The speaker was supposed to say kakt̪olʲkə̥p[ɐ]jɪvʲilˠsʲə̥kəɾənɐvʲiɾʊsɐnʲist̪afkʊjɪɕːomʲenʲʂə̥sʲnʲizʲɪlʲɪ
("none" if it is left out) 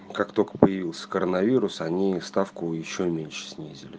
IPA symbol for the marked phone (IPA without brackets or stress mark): ə